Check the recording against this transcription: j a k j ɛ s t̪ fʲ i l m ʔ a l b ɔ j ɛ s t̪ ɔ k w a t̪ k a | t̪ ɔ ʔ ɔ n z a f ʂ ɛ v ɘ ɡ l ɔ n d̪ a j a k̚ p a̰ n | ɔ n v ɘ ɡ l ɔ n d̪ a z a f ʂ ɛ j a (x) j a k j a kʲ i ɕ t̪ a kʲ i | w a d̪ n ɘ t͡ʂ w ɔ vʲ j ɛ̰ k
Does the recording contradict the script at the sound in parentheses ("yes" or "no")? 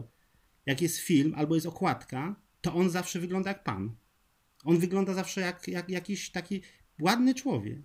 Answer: yes